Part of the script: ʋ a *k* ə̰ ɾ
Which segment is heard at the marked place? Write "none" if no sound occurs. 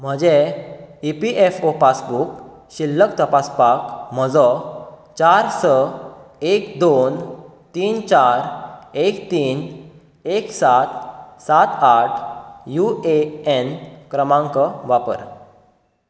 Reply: p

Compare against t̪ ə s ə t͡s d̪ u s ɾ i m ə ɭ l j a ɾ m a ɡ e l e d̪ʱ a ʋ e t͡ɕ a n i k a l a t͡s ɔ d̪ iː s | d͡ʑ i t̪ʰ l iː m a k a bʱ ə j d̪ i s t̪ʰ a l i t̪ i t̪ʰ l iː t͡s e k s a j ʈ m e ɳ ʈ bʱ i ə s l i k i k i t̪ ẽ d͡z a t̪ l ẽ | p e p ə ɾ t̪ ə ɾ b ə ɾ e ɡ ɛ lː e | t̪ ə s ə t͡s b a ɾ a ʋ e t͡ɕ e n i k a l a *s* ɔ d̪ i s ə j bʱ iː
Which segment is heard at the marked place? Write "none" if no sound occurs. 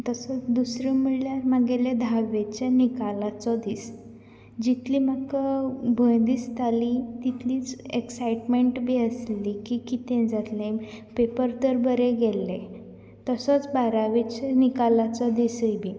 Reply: t͡s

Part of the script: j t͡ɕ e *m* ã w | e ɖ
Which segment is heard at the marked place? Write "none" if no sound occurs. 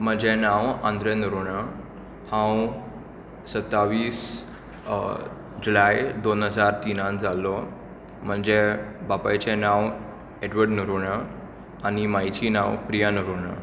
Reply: n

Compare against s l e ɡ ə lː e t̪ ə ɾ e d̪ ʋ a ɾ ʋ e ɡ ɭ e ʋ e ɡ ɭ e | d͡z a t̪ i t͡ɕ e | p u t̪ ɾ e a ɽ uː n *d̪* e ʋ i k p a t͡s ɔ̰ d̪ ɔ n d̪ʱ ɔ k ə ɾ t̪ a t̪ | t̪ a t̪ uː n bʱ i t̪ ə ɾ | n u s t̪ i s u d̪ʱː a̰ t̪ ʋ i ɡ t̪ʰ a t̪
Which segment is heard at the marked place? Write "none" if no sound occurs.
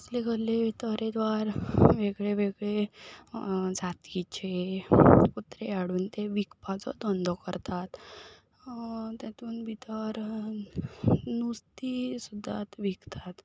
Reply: t̪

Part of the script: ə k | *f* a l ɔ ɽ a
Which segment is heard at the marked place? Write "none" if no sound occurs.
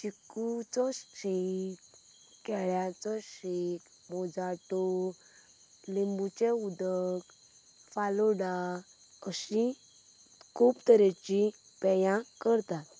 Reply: f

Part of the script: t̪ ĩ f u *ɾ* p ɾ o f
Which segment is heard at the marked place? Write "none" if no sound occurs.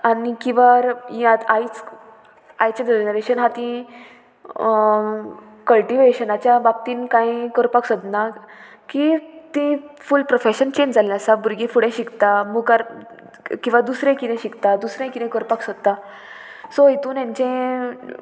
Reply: l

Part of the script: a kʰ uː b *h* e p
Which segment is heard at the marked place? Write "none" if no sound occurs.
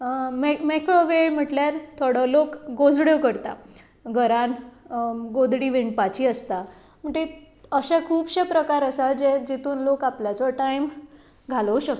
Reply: ɕ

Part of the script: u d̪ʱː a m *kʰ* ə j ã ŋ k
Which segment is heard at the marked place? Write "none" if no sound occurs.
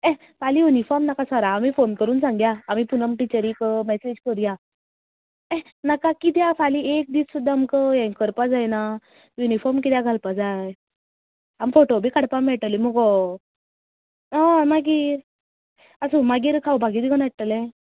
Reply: k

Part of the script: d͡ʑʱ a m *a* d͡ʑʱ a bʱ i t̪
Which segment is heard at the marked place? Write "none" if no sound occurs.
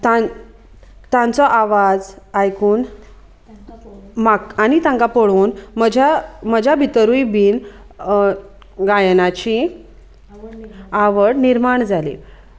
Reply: ə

